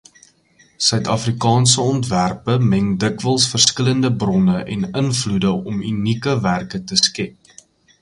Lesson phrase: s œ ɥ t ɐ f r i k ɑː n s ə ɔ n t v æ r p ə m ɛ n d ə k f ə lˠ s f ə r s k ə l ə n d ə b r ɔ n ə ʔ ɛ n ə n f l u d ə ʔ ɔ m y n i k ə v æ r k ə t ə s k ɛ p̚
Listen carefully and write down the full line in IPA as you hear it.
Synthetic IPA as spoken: s œ ɥ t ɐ f r i k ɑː n s ə ɔ n t v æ r p ə m ɛ ŋ d ə k v ə lˠ s f ə r s k ə l ə n d ə b r ɔ n ə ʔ ɛ n ə n f l u d ə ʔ ɔ m y n i k ə v æ r k ə t ə s k ɛ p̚